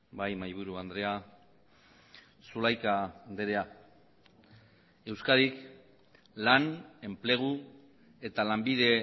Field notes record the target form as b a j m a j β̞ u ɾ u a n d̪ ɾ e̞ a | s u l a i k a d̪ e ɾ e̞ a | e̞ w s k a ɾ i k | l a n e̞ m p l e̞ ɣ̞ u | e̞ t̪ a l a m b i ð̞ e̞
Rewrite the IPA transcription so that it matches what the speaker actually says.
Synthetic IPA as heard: b a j m a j β̞ u ɾ u a n d̪ ɾ e̞ a | s u l a j k a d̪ e ɾ e̞ a | e̞ w s k a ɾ i k | l a n e̞ m p l e̞ ɣ̞ u | e̞ t̪ a l a m b i ð̞ e̞

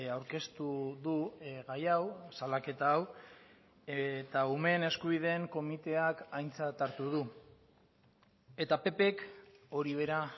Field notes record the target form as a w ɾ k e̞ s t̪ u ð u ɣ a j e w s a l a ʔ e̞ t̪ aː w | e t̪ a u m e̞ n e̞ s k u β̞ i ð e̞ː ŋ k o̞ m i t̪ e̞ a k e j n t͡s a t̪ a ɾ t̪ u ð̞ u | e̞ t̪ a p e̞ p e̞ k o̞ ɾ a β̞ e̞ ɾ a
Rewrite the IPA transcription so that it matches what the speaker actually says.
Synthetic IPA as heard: a w ɾ k e̞ s t̪ u ð u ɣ a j a w s a l a k e̞ t̪ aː w | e t̪ a u m e̞ n e̞ s k u β̞ i ð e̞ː ŋ k o̞ m i t̪ e̞ a k a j n t͡s a t̪ a ɾ t̪ u ð̞ u | e̞ t̪ a p e̞ p e̞ k o̞ ɾ i β̞ e̞ ɾ a

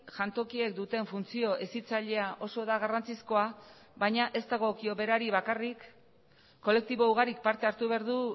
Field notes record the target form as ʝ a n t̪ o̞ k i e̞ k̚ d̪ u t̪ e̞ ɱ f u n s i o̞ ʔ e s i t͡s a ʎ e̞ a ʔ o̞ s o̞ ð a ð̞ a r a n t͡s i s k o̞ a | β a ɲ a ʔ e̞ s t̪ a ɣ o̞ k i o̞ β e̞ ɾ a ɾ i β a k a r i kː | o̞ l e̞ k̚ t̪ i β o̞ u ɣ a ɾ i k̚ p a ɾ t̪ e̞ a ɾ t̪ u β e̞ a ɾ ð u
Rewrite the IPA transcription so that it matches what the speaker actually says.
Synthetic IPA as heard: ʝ a n t̪ o̞ k i e̞ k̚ d̪ u t̪ e̞ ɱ f u n t͡s i o̞ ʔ e s i t͡s a ʎ e̞ a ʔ o̞ s o̞ ð a ɣ̞ a r a n t͡s i s k o̞ a | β a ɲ a ʔ e̞ s t̪ a ɣ o̞ k i o̞ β e̞ ɾ a ɾ i β a k a r i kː | o̞ l e̞ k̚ t̪ i β o̞ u ɣ a ɾ i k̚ p a ɾ t̪ e̞ a ɾ t̪ u β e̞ a ɾ ð u

